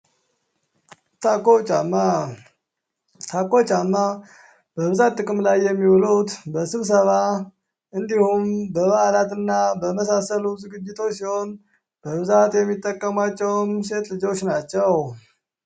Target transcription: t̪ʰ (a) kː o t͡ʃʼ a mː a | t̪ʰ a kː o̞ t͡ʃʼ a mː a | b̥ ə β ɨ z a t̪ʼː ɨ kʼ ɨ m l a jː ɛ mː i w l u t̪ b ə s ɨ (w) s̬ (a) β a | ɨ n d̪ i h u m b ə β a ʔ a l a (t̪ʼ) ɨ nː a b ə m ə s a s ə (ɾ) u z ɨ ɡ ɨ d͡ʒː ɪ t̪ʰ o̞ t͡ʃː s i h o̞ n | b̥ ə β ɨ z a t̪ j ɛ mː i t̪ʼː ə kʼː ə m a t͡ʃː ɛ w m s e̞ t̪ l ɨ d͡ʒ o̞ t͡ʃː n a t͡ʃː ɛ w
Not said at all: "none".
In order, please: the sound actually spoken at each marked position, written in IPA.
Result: a, β, ə, t̪, l

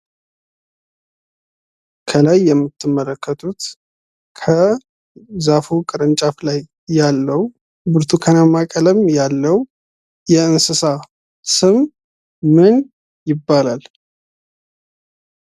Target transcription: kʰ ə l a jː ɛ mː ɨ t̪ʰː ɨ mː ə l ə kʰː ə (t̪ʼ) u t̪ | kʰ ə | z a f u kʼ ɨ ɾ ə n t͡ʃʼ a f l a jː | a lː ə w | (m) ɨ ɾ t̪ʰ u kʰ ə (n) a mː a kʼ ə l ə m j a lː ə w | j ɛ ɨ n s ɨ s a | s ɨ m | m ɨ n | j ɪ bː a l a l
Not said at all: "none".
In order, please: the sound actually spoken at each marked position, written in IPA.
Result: t̪ʼ, b, n

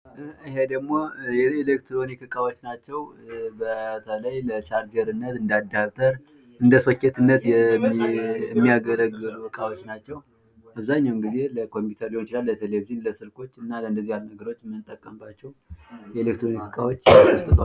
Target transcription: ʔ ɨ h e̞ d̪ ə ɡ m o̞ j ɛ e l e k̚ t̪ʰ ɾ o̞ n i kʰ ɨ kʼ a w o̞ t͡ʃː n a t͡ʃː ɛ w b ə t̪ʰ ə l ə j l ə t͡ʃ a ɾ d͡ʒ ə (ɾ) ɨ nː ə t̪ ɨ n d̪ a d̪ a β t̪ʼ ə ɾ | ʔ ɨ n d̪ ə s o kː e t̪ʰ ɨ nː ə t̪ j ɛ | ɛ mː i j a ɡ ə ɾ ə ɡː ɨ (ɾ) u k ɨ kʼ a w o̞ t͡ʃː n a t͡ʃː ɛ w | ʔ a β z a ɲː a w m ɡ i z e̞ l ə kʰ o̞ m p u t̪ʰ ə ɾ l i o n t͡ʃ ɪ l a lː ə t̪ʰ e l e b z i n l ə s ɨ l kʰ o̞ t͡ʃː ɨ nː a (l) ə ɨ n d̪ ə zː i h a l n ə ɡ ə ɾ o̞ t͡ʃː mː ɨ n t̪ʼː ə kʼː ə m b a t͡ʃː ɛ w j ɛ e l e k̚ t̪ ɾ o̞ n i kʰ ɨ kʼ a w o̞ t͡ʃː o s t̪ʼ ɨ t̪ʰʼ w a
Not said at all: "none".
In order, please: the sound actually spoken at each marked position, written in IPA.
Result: ɾ, l, l

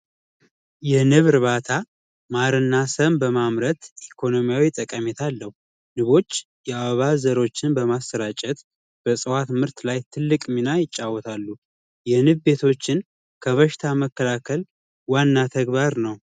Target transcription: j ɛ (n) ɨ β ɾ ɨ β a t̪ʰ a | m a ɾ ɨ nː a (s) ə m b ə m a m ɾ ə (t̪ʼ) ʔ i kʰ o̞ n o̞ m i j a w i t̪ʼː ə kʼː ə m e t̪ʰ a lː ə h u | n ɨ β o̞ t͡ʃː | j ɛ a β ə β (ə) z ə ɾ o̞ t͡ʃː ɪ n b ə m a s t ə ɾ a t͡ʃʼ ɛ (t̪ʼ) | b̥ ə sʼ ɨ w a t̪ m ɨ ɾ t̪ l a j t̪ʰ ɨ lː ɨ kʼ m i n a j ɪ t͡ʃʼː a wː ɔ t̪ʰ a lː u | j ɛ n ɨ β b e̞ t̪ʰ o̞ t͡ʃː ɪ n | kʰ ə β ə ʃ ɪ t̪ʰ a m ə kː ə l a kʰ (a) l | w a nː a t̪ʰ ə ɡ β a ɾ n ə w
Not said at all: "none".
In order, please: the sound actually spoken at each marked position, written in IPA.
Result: n, s, t̪, a, t̪, ə

